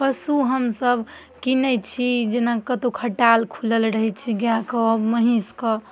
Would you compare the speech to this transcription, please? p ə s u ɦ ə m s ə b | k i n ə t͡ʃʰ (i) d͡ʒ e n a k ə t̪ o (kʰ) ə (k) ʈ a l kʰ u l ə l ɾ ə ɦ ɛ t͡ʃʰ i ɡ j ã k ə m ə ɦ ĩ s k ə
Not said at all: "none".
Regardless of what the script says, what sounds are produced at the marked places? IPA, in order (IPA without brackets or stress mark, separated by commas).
i, kʰ, none